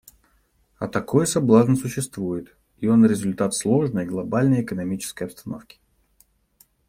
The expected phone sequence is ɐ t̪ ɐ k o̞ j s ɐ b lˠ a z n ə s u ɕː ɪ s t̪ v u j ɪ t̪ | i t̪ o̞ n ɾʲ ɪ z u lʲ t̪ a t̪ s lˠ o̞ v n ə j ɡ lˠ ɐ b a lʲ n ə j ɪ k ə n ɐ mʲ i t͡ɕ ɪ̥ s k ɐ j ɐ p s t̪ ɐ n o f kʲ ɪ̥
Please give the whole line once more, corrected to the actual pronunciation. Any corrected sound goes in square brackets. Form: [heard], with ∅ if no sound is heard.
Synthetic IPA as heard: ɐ t̪ ɐ k o̞ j s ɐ b lˠ a z n ə s [ʊ] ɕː ɪ s t̪ v u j ɪ t̪ | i [∅] o̞ n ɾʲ ɪ z [ʊ] lʲ t̪ a t̪ s lˠ o̞ [ʐ] n ə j ɡ lˠ ɐ b a lʲ n ə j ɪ k ə n ɐ mʲ i t͡ɕ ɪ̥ s k [ə] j ɐ p s t̪ ɐ n o f kʲ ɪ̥